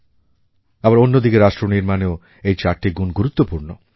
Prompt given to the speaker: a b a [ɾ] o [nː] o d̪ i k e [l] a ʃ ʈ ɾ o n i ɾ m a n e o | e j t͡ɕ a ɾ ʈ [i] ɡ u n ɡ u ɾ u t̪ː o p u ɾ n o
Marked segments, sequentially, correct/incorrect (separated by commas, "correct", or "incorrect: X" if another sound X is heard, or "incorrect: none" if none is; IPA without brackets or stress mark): correct, correct, incorrect: ɾ, correct